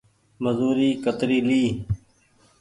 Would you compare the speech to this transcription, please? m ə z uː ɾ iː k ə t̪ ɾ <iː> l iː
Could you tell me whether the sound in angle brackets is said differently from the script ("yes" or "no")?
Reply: no